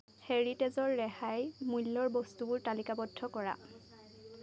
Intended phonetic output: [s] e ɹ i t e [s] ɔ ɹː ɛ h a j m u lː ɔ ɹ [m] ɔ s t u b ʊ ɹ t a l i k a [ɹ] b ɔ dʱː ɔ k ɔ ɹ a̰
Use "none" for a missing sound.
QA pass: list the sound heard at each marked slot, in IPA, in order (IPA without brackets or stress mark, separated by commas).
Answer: h, z, b, none